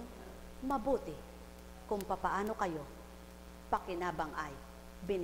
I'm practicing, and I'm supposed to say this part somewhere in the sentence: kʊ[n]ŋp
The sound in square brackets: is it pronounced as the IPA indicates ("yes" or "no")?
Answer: no